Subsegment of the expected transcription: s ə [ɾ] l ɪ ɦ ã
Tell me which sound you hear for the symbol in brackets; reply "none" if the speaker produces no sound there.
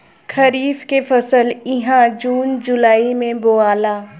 none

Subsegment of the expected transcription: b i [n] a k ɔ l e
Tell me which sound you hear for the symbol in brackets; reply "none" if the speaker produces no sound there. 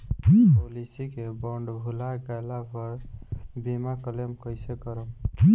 m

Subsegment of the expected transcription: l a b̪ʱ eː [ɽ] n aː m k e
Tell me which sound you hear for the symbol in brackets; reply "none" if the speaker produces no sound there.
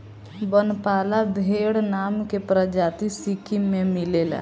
ɽ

